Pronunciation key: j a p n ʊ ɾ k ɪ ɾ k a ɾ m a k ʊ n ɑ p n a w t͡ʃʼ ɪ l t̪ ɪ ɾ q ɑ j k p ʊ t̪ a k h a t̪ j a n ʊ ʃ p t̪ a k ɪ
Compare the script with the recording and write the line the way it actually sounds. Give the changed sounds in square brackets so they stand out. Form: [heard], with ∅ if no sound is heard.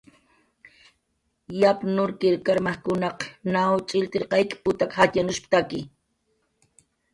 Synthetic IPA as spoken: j a p n ʊ ɾ k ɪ ɾ k a ɾ m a k ʊ n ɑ [q] n a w t͡ʃʼ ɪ l t̪ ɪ ɾ q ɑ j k p ʊ t̪ a k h a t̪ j a n ʊ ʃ p t̪ a k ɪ